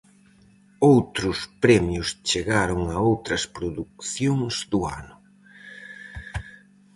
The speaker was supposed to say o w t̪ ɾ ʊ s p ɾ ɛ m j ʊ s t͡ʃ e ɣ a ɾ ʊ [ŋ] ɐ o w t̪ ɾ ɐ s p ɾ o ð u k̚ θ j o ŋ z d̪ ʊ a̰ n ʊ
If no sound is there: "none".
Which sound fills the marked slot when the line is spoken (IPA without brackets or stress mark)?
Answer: ŋ